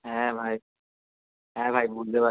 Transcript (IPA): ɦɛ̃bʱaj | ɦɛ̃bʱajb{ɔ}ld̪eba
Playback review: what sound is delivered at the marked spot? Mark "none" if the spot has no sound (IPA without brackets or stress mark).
u